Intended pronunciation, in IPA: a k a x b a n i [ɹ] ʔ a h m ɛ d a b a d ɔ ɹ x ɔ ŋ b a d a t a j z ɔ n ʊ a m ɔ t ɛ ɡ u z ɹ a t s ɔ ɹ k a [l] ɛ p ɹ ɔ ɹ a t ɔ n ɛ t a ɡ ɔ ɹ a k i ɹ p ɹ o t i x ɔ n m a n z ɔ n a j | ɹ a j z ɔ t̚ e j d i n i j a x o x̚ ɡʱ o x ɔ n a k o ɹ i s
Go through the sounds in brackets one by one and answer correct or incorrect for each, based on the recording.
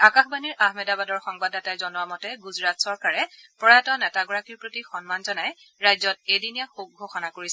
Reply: correct, incorrect

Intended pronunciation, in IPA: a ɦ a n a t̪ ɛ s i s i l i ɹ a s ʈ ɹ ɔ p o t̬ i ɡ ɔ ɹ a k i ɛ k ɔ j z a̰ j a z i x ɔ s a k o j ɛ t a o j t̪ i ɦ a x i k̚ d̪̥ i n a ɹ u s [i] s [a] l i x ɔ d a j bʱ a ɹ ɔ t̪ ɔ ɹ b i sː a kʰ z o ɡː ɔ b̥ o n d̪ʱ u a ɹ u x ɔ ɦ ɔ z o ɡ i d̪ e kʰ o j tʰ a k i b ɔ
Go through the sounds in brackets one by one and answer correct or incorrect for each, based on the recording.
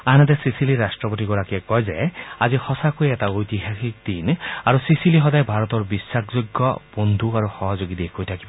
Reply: correct, incorrect

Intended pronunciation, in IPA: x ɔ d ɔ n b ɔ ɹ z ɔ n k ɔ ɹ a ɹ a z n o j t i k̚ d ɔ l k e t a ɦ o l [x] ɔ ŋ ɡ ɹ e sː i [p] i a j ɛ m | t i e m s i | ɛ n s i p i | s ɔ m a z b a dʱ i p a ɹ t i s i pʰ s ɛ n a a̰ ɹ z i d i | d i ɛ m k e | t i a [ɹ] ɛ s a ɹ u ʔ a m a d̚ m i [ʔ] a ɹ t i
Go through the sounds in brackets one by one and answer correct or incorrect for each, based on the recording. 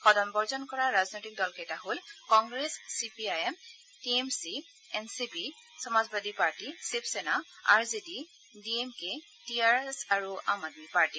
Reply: incorrect, correct, correct, incorrect

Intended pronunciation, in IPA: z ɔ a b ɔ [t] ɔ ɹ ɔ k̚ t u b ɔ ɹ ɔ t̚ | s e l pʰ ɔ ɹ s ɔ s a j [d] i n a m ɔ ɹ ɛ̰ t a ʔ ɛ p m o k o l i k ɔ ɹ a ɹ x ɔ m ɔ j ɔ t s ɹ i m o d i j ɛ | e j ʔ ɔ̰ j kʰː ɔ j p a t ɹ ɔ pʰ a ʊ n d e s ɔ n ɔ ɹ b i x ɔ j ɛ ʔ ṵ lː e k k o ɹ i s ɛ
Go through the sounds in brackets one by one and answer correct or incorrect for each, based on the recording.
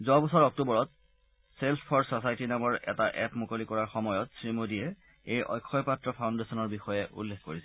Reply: incorrect, incorrect

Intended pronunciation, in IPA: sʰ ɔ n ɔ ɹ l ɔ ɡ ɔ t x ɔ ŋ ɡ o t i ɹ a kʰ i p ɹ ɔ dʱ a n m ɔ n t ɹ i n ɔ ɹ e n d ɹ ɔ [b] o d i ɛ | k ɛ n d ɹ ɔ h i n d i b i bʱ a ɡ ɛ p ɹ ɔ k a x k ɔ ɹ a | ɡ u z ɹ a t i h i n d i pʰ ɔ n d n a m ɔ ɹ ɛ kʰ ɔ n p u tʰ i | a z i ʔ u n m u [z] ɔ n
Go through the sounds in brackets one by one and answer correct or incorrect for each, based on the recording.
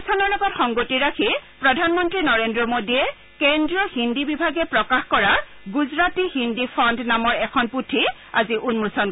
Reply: incorrect, incorrect

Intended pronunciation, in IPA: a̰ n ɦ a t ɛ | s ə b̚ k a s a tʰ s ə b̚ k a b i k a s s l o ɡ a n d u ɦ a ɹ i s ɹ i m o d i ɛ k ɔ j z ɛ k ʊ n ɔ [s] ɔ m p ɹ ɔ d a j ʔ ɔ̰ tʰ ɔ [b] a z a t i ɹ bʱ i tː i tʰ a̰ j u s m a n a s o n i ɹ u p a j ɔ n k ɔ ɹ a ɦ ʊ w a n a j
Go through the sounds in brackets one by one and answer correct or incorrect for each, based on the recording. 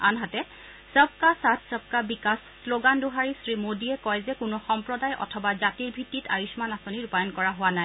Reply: incorrect, correct

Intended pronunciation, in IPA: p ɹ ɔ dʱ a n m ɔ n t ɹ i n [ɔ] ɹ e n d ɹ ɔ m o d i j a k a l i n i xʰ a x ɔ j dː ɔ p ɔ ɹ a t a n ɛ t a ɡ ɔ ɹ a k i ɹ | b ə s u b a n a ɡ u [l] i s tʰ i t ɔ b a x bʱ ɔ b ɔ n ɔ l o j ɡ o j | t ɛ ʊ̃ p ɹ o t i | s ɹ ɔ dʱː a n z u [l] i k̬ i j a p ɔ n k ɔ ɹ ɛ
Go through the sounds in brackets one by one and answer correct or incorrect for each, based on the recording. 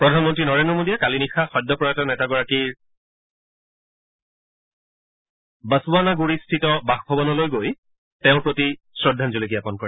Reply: correct, incorrect, correct

